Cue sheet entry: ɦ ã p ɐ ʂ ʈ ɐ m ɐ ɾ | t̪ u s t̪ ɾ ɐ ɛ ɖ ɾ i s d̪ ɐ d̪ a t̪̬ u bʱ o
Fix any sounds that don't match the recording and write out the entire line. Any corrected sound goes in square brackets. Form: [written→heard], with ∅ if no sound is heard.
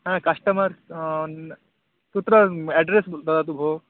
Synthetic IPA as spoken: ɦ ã [p→k] ɐ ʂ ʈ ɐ m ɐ ɾ | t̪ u [s→∅] t̪ ɾ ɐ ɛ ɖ ɾ [i→e] s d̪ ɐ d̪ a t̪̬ u bʱ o